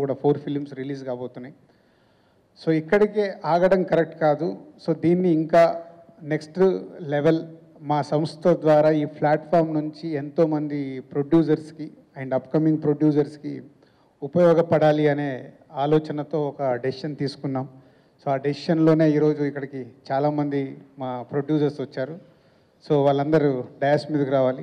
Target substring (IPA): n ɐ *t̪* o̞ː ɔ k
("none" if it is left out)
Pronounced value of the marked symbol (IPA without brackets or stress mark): t̪